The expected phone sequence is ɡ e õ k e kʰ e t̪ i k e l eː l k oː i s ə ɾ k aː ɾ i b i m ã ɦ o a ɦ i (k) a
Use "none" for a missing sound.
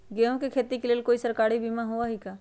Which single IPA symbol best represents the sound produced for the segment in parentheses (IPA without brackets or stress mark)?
k